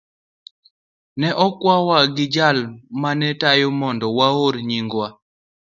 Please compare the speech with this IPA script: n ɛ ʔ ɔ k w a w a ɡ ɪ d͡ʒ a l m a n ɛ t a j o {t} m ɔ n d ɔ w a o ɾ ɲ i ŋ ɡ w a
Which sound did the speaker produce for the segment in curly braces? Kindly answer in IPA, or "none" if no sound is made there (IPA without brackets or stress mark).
none